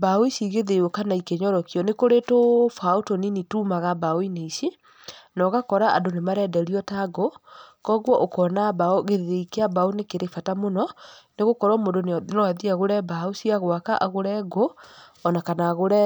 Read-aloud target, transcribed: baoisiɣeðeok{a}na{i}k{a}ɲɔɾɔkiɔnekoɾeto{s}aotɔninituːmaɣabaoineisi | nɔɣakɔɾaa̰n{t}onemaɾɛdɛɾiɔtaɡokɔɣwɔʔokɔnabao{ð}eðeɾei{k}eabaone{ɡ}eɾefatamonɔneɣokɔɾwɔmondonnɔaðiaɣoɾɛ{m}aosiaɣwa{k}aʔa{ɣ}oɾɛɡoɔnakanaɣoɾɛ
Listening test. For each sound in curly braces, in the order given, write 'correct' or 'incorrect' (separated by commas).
correct, correct, incorrect, incorrect, incorrect, incorrect, correct, incorrect, incorrect, correct, correct